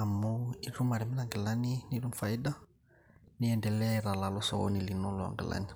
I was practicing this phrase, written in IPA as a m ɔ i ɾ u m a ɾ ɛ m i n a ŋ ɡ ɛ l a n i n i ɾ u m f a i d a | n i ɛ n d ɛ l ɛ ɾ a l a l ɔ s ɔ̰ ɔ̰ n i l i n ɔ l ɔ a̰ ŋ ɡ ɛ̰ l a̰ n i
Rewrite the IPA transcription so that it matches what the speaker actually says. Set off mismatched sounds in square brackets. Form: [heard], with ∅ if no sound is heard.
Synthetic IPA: a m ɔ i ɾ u m a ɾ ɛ m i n a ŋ ɡ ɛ l a n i n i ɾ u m f a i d a | n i ɛ n d ɛ l ɛ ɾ a l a l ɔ s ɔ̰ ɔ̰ n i l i n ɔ l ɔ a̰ ŋ ɡ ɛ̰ l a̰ n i